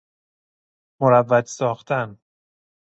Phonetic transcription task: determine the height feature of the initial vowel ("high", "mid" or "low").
mid